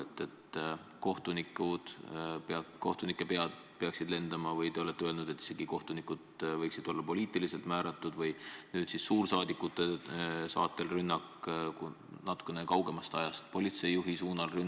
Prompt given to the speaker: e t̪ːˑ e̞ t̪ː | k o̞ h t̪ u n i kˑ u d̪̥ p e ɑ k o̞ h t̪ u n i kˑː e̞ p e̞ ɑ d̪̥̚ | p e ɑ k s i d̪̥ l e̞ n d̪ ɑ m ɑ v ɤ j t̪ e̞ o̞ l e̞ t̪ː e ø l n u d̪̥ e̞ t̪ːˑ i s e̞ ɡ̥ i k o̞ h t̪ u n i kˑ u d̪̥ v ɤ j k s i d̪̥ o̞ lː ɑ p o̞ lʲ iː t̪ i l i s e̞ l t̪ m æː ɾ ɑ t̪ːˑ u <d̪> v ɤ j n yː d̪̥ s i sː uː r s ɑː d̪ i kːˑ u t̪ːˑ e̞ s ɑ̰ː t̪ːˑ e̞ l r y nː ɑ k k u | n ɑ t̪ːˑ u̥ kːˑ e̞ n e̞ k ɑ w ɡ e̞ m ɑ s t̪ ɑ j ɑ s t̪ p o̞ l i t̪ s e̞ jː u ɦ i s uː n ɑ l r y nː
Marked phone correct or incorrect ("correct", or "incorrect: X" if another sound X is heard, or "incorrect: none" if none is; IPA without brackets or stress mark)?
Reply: correct